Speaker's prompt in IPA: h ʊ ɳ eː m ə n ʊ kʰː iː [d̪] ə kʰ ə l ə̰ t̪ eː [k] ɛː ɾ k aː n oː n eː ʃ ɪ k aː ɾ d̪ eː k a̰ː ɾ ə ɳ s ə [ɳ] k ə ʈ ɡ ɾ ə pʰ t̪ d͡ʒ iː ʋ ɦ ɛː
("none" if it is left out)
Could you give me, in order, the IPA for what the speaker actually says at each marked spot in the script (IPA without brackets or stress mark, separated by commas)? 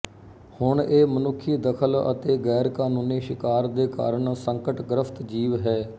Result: d̪, ɡ, ŋ